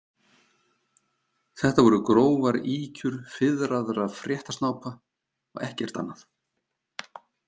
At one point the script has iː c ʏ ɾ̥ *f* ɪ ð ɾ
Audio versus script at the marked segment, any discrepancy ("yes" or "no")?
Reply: no